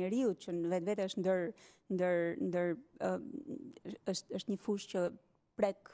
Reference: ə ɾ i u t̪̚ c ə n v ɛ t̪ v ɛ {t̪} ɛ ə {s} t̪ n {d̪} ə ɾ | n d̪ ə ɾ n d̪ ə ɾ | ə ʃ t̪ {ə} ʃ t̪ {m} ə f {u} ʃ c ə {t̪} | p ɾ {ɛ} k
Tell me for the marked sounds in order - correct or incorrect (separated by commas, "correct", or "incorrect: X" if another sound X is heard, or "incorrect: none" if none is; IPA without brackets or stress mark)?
correct, incorrect: ʃ, correct, correct, incorrect: ɲ, correct, incorrect: none, correct